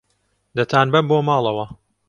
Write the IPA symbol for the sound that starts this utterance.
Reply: d̪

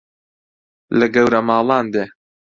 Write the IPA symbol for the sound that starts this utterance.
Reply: l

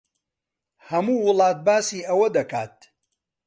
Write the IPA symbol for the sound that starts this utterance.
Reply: h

